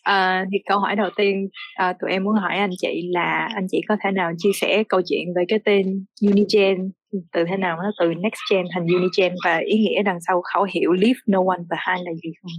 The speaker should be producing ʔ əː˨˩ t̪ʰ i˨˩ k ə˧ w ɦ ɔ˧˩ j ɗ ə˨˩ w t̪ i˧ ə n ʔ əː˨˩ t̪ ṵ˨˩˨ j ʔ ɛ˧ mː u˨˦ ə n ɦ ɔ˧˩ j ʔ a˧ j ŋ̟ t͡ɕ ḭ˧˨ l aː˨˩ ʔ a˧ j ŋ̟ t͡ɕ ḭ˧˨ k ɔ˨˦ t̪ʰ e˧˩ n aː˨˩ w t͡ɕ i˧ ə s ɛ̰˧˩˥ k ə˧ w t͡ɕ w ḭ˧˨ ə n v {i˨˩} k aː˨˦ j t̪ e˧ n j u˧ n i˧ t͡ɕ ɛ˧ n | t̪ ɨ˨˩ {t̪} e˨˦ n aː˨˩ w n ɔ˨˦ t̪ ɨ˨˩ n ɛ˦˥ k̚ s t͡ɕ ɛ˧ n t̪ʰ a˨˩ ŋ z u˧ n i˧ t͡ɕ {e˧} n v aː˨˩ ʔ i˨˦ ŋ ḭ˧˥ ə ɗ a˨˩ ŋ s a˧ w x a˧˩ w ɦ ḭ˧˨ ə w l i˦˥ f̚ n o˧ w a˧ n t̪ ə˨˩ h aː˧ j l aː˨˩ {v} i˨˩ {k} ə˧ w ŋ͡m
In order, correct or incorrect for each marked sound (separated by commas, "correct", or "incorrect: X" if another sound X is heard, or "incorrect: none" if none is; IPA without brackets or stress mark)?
incorrect: e˨˩, incorrect: t̪ʰ, incorrect: ɛ˧, incorrect: z, incorrect: x